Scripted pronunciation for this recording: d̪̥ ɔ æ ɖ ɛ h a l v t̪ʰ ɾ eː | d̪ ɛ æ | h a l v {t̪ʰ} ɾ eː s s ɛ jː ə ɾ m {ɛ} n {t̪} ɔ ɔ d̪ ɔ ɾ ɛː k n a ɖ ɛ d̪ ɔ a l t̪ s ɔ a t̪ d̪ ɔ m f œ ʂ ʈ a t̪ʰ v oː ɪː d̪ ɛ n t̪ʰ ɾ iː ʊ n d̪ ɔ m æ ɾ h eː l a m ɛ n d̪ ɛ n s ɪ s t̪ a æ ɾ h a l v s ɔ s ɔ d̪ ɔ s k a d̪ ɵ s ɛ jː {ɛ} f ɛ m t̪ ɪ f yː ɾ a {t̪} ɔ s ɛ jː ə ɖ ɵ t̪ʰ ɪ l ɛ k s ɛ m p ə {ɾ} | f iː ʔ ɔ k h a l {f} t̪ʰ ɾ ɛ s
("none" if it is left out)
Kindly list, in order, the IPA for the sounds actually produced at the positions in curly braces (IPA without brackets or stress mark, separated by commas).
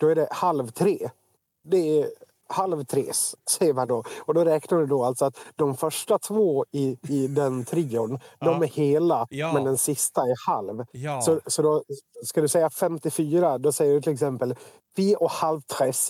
t̪ʰ, a, d̪, a, d̪, l, v